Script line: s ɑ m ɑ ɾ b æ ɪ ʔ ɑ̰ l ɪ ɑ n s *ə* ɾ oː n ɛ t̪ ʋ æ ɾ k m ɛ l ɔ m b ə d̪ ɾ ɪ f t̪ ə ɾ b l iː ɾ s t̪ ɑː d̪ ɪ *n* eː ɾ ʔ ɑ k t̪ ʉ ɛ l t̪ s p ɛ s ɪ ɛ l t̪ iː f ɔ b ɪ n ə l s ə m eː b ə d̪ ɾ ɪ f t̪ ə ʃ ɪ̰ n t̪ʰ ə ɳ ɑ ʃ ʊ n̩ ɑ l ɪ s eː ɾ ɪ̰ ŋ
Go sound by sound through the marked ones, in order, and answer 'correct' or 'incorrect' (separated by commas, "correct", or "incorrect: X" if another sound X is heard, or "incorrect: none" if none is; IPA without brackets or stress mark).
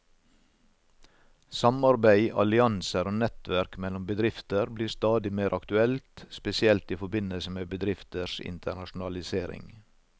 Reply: correct, incorrect: m